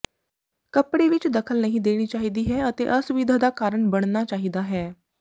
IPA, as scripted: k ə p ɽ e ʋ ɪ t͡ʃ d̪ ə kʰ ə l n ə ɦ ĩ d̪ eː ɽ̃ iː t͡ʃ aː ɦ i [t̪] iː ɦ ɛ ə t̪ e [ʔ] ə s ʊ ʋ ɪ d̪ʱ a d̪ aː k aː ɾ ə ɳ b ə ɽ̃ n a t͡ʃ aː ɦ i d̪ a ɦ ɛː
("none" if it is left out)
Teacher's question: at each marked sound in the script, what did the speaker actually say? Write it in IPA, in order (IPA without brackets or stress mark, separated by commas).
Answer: d̪, ʔ